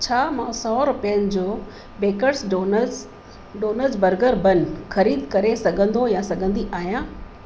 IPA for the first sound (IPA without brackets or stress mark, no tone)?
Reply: t͡ɕʰ